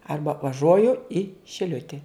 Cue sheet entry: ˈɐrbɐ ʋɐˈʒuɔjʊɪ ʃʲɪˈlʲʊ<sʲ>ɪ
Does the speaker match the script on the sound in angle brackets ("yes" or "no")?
no